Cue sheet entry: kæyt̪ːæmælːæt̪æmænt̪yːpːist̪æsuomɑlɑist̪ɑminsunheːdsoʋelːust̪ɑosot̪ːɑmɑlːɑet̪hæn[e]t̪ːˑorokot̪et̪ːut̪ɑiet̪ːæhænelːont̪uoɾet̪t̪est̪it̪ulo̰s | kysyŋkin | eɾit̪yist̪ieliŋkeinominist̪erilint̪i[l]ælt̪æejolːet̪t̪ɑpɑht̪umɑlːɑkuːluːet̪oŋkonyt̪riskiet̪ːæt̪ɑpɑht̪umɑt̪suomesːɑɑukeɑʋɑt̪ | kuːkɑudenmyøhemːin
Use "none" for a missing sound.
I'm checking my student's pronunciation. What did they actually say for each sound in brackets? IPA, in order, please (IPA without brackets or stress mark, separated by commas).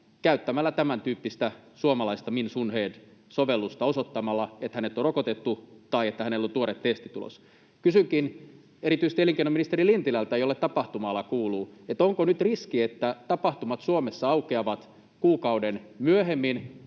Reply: e, l